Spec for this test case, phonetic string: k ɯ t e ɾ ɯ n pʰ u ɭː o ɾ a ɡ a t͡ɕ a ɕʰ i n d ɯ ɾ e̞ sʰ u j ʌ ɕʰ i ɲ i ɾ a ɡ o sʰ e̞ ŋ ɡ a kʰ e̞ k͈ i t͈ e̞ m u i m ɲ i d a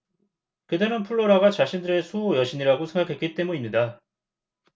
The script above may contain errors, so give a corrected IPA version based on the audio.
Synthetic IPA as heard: k ɯ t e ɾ ɯ n pʰ u ɭː o ɾ a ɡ a t͡ɕ a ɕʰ i n d ɯ ɾ e̞ sʰ u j ʌ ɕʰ i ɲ i ɾ a ɡ o sʰ e̞ ŋ ɡ a kʰ e̞ k͈ i t͈ e̞ m u i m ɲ i d a